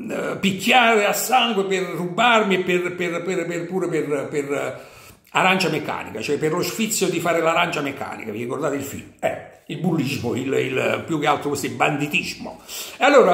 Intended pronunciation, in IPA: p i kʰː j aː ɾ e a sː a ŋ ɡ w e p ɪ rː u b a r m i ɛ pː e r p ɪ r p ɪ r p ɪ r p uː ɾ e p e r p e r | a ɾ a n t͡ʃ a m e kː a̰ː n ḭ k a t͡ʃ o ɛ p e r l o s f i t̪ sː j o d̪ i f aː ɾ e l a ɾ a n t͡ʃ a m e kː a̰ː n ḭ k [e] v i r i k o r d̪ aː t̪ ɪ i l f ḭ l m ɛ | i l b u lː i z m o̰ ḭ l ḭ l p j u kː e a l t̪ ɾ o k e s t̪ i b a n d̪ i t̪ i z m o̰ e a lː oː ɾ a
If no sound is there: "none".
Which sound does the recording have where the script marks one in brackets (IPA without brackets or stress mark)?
a